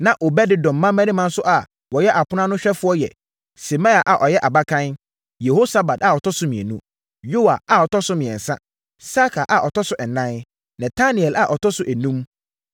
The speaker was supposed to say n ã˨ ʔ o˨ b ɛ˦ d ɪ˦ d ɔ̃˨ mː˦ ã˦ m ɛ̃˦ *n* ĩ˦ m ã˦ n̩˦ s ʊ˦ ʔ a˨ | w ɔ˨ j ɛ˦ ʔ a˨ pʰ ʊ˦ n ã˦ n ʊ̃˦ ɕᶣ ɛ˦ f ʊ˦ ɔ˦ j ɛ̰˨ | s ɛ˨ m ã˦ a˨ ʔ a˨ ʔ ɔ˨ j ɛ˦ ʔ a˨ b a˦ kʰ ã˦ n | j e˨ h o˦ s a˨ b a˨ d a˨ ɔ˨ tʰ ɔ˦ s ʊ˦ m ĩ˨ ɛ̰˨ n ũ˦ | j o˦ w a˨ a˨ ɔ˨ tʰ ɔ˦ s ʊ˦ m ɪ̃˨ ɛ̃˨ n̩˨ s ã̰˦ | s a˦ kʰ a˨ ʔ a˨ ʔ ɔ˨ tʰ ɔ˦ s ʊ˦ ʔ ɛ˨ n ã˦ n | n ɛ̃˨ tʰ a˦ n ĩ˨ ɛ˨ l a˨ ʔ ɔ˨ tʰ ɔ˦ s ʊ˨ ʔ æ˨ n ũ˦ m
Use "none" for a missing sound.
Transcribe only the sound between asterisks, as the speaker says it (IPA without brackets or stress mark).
n